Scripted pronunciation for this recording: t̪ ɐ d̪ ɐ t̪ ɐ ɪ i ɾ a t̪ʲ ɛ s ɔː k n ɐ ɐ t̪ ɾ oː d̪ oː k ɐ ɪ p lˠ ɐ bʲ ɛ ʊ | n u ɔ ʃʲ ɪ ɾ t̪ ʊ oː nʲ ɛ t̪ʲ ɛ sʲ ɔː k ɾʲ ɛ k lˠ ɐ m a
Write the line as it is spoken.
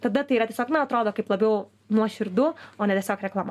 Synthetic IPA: t̪ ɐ d̪ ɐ t̪ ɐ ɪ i ɾ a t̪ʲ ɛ s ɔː k n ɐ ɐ t̪ ɾ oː d̪ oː k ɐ ɪ p lˠ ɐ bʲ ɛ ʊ | n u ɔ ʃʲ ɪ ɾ d̪ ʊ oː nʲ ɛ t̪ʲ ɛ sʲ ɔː k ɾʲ ɛ k lˠ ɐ m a